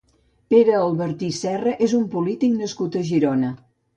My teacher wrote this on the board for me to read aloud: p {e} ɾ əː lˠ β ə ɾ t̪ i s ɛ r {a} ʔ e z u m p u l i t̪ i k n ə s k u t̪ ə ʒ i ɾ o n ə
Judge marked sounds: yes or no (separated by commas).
yes, no